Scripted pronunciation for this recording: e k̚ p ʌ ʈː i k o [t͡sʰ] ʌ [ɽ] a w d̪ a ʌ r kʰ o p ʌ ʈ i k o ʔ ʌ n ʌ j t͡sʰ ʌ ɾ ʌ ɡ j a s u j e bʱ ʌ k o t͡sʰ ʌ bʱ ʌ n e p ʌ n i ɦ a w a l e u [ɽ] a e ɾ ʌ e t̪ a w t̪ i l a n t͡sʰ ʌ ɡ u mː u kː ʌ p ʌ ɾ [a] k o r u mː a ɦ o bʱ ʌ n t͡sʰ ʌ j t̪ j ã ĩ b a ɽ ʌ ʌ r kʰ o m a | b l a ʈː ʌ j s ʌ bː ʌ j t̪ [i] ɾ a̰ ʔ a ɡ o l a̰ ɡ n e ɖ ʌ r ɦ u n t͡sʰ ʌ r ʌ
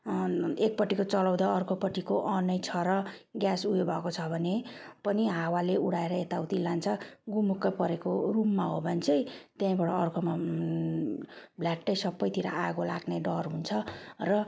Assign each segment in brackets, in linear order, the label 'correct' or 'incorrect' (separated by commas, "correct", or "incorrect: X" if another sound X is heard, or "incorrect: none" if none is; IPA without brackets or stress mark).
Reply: incorrect: t͡s, incorrect: l, correct, incorrect: e, correct